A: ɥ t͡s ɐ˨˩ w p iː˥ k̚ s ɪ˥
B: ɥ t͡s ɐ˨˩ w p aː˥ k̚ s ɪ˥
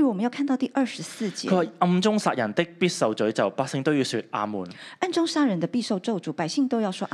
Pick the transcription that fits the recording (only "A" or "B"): B